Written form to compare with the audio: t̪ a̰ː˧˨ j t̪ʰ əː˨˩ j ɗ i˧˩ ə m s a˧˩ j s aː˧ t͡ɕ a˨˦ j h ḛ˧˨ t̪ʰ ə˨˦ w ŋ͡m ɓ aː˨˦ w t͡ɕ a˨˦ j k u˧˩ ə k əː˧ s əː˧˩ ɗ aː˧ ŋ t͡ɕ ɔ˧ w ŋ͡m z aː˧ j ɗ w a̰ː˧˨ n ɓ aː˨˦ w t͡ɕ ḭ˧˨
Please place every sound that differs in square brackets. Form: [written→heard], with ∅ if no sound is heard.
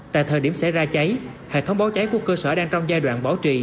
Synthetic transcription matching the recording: t̪ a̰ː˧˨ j t̪ʰ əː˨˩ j ɗ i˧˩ ə m s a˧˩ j [s→z] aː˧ t͡ɕ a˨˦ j h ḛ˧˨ t̪ʰ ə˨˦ w ŋ͡m ɓ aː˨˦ w t͡ɕ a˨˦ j k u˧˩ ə k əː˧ s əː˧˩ ɗ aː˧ ŋ t͡ɕ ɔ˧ w ŋ͡m z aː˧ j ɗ w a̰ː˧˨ n ɓ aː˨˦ w t͡ɕ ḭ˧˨